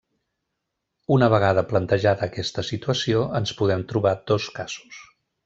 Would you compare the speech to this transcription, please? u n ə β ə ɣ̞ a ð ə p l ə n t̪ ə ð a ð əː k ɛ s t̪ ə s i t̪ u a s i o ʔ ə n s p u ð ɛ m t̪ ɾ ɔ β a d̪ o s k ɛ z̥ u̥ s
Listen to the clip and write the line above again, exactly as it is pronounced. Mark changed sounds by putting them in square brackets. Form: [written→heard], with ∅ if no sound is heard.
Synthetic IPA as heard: u n ə β ə ɣ̞ a ð ə p l ə n t̪ ə [ð→ʒ] a ð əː k ɛ s t̪ ə s i t̪ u [a→ə] s i o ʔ ə n s p u ð ɛ m t̪ ɾ [ɔ→u] β a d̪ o s k [ɛ→a] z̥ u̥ s